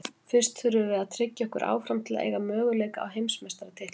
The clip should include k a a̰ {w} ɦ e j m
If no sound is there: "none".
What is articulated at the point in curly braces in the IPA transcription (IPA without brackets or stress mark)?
w